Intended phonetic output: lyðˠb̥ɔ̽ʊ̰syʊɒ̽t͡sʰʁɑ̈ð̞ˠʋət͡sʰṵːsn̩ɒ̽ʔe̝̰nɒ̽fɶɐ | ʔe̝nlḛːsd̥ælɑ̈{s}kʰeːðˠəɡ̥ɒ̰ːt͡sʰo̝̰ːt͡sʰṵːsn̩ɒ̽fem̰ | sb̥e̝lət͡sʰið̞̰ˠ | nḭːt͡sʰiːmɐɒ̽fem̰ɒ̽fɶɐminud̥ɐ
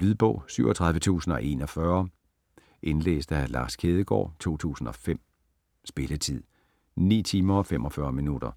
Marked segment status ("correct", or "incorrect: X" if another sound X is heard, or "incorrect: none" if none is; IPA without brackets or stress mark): correct